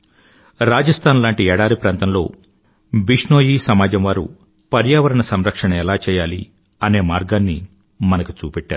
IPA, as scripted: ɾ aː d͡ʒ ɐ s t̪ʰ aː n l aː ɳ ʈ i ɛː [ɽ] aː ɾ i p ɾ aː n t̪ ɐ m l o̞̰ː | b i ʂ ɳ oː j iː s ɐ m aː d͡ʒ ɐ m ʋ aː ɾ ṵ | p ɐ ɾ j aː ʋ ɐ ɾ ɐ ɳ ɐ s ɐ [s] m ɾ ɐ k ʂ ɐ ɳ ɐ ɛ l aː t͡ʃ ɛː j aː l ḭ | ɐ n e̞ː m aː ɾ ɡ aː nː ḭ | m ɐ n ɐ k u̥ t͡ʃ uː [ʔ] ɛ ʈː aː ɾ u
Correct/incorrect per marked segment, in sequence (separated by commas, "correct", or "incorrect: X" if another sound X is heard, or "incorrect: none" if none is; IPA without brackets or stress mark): correct, incorrect: none, incorrect: p